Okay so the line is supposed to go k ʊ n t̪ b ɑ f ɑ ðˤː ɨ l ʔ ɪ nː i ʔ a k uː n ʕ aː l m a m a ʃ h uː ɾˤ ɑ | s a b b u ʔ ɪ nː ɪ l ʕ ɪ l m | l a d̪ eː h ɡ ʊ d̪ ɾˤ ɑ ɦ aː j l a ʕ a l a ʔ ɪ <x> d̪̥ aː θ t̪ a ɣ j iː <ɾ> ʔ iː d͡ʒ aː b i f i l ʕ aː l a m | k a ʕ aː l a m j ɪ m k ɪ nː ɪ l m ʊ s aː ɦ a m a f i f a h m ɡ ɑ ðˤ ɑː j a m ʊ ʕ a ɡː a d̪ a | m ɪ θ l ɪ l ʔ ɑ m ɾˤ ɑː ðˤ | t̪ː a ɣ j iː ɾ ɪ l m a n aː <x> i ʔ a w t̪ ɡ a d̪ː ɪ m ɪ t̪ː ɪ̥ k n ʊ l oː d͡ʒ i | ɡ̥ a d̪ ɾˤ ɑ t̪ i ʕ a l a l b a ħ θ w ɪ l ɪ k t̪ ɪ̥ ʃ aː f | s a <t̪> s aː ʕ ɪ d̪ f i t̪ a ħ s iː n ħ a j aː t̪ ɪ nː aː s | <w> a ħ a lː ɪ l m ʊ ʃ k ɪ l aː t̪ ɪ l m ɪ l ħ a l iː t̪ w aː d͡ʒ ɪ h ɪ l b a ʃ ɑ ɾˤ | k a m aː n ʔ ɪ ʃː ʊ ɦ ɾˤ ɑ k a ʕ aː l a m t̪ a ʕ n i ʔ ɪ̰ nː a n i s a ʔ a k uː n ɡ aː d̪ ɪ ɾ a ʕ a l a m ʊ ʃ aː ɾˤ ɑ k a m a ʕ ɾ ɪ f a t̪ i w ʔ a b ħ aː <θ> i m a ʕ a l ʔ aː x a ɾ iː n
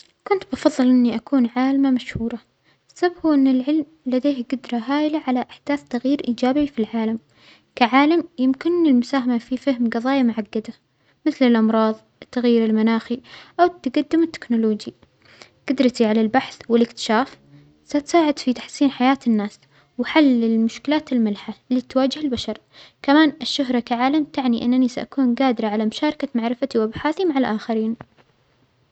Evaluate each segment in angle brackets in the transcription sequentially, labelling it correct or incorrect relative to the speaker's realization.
incorrect: ħ, correct, correct, correct, correct, correct

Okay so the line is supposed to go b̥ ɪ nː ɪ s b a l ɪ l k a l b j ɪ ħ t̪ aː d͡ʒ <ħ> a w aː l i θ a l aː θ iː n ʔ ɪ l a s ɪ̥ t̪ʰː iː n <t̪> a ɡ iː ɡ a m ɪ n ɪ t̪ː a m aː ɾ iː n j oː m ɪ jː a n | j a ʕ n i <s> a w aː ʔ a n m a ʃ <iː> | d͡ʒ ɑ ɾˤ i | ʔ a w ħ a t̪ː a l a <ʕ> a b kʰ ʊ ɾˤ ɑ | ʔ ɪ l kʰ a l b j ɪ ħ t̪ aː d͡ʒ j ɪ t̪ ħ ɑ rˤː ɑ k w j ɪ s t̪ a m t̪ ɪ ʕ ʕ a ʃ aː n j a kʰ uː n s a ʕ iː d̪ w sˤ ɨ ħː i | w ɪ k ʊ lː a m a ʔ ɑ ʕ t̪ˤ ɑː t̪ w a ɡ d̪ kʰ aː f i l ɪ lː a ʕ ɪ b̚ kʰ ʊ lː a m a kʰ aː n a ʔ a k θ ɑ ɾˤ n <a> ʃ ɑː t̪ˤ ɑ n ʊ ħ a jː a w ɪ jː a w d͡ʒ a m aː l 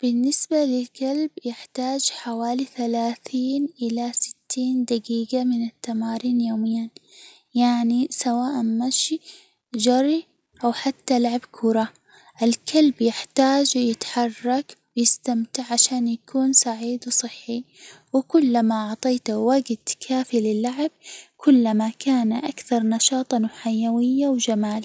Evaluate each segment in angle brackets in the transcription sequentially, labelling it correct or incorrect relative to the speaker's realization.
correct, incorrect: d̪, correct, incorrect: i, correct, incorrect: ɑ

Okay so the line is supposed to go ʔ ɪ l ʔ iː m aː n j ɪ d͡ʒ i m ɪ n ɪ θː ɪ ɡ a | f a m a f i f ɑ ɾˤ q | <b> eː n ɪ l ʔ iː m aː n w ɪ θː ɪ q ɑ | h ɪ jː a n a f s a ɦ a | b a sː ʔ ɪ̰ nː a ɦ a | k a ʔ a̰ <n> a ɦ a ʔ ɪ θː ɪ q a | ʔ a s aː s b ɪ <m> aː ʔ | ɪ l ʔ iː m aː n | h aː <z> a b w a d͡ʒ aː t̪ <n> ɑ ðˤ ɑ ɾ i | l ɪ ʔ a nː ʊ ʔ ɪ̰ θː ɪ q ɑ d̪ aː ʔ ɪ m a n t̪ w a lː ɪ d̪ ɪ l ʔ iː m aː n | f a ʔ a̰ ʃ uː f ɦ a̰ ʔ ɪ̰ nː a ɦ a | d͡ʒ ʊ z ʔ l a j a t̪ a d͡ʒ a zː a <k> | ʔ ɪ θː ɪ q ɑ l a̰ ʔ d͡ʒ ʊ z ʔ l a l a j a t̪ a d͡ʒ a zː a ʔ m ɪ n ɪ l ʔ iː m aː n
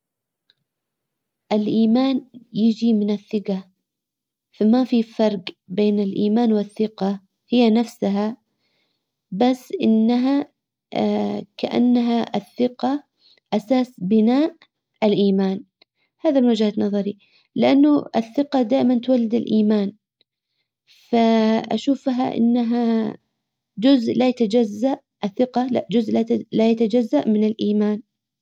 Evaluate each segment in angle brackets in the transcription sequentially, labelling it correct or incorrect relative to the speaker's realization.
correct, incorrect: nː, incorrect: n, incorrect: ð, correct, incorrect: ʔ

